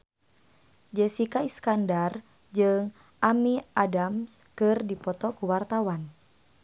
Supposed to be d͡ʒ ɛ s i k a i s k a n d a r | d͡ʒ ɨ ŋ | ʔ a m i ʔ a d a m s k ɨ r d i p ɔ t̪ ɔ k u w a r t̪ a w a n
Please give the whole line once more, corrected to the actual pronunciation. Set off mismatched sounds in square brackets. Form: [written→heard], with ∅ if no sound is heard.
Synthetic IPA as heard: d͡ʒ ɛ s i k a i s k a n d a r | d͡ʒ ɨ ŋ | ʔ a m i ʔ a d a m s k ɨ r d i p ɔ t̪ ɔ k u w a r t̪ a w a n